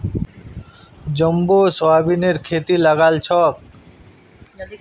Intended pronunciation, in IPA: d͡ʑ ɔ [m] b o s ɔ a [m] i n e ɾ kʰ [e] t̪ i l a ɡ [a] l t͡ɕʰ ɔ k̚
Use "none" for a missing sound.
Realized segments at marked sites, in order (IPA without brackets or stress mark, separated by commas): m, b, e, a